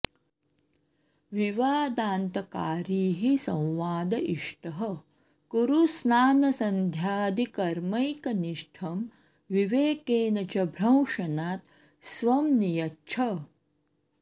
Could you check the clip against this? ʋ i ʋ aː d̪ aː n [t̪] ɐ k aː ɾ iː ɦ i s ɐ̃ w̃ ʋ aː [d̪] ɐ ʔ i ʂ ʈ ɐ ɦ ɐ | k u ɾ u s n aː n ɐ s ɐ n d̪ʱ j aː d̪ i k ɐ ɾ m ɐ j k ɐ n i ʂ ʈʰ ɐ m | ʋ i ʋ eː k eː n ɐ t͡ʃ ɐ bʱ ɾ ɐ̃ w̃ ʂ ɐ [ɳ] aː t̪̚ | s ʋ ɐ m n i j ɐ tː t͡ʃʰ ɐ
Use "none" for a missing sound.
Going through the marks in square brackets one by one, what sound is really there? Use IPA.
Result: t̪, d̪, n

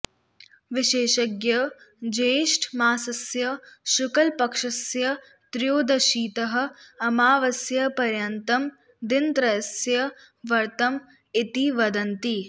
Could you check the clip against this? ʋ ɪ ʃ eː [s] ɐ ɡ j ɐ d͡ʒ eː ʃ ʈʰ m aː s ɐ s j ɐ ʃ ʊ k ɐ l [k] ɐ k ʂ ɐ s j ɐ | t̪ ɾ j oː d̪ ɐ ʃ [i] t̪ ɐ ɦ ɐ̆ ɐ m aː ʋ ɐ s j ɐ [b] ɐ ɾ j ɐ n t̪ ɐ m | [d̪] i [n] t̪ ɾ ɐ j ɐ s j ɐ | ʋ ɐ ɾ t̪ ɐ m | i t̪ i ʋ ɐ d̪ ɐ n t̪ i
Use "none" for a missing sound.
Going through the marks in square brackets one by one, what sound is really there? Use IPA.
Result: ʃ, p, iː, p, d̪, n

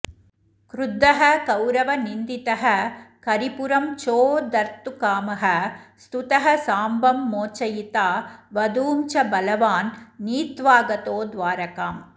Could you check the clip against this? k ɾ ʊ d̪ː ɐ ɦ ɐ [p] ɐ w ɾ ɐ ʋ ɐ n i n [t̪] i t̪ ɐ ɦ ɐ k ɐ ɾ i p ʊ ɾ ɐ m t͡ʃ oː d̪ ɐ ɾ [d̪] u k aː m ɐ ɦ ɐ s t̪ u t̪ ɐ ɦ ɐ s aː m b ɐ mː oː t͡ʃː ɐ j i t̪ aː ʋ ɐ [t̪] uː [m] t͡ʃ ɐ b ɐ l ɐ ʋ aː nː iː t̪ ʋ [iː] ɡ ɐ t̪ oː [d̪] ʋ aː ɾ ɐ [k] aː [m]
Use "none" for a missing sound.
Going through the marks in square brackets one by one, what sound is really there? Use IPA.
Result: k, d̪, t̪, d̪, m, aː, d̪, k, m

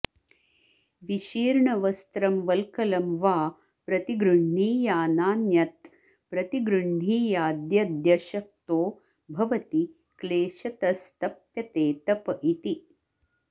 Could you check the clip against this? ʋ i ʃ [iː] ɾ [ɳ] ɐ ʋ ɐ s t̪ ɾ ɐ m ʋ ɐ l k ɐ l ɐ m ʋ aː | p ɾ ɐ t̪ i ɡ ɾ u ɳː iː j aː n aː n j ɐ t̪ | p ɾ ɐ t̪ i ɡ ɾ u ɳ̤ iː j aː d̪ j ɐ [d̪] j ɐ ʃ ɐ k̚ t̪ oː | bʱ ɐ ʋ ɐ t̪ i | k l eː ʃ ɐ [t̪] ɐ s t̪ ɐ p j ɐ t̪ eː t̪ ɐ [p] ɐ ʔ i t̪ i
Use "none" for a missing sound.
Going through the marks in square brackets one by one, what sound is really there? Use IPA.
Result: iː, ɳ, d̪, t̪, p

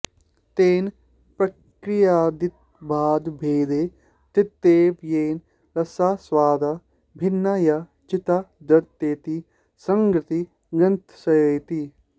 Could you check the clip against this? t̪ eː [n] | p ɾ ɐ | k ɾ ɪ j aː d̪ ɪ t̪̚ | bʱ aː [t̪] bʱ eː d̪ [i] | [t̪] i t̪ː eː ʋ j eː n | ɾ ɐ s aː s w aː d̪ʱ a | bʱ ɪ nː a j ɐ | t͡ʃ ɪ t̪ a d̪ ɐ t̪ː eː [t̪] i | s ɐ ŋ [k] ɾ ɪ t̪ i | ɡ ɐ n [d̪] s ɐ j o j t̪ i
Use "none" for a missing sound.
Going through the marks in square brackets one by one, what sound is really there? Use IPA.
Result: n, d̪, e, t̪, t̪, ɡ, t̪

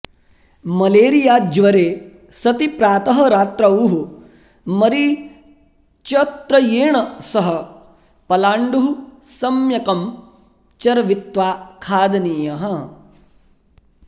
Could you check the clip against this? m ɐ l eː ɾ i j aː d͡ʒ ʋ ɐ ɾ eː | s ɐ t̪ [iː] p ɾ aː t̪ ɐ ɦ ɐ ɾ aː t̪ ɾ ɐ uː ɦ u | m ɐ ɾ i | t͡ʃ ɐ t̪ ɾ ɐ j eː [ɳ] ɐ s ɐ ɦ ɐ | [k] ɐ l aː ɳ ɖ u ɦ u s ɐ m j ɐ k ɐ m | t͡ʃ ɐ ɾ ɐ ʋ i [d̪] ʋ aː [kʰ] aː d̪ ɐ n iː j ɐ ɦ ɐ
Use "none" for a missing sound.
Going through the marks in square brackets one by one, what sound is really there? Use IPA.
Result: i, ɳ, p, t̪, kʰ

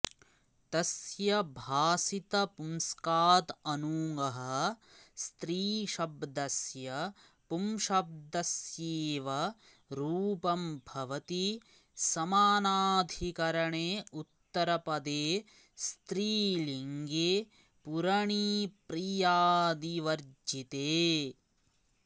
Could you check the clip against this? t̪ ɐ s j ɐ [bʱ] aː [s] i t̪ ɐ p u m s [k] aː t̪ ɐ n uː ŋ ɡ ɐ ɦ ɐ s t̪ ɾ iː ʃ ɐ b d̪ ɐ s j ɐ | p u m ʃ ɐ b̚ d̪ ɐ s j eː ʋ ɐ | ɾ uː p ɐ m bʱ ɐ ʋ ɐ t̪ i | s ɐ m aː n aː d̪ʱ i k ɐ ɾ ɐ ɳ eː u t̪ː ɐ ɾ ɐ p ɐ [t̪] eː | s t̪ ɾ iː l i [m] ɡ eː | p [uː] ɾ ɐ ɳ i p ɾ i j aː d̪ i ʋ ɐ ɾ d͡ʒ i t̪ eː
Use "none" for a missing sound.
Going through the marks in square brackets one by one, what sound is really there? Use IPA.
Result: bʱ, s, k, d̪, ŋ, u

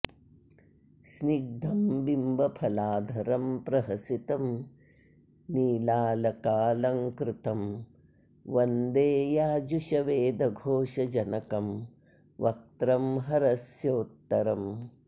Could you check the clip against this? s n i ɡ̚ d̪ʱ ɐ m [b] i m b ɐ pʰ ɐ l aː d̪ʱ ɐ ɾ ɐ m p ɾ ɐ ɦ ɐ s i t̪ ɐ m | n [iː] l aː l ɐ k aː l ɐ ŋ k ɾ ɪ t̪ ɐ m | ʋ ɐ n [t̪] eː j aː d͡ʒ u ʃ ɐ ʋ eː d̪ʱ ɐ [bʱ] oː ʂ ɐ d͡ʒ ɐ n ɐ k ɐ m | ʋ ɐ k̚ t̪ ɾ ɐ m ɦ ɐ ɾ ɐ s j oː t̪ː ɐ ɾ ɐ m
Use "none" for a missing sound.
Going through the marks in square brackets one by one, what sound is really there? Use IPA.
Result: b, iː, d̪, ɡʱ

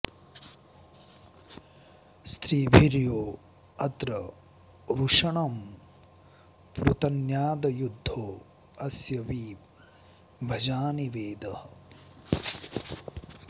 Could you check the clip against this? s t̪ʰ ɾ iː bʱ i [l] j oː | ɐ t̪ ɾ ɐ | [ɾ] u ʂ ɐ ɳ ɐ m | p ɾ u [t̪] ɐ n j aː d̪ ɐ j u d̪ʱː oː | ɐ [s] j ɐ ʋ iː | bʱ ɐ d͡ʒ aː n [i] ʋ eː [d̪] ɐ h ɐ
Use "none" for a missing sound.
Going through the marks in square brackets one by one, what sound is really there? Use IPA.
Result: ɾ, ɾ, t̪, s, i, d̪

